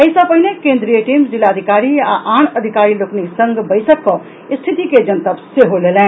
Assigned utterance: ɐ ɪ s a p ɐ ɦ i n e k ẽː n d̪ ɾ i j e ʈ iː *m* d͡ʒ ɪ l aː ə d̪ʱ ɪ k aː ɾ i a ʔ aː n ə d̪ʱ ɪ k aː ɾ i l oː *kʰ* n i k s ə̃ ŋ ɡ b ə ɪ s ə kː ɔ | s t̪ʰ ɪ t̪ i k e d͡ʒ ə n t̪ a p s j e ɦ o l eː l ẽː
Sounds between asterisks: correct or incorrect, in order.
correct, incorrect: k

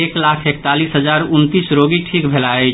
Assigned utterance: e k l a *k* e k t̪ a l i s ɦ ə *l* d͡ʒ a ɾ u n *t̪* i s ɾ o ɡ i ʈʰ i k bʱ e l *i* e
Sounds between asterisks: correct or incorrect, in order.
incorrect: kʰ, incorrect: none, correct, incorrect: a

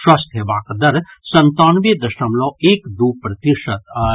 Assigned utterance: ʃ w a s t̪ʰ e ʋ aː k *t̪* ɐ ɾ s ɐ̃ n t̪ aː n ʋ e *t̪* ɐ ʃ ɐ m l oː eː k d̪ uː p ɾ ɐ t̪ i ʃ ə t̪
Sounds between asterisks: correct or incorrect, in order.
incorrect: d̪, incorrect: d̪

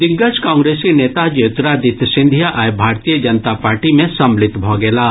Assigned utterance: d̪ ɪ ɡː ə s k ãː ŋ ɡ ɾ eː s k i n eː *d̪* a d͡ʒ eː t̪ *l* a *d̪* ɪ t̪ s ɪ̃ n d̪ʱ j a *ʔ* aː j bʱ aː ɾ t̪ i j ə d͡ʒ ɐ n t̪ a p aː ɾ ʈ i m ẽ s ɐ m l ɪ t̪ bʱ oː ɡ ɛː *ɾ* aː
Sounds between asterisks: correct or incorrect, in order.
incorrect: t̪, incorrect: ɾ, correct, correct, incorrect: l

